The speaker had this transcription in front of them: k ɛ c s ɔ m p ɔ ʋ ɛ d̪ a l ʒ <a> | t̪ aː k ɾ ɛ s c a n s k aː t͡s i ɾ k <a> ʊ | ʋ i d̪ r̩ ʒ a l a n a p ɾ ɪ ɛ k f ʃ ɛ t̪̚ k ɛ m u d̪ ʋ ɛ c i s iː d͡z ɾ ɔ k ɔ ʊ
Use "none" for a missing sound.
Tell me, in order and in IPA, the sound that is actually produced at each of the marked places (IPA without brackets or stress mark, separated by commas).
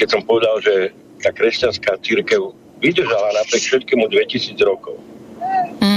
ɛ, ɛ